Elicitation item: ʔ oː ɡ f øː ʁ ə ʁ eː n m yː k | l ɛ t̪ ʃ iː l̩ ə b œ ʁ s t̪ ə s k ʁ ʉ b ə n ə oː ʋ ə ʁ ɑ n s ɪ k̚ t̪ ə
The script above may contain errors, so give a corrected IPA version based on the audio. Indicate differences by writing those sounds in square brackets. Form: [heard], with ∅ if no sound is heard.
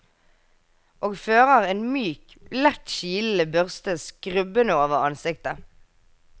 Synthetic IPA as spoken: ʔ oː ɡ f øː ʁ ə ʁ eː n m yː k | l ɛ t̪ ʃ iː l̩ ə b œ ʁ s t̪ ə s k ʁ ʉ b ə n ə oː ʋ ə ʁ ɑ n s ɪ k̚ t̪ ə